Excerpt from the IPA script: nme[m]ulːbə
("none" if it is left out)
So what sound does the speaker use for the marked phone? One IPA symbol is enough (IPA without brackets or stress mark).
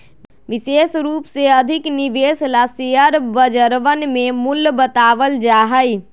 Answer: m